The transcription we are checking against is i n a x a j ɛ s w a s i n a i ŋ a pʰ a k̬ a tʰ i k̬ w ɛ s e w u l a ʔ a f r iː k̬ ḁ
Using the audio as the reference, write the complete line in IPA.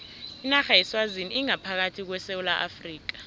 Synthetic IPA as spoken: i n a x a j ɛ s w a z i n i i ŋ a pʰ a k̬ a tʰ i k̬ w ɛ s e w u l a ʔ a f r iː k̬ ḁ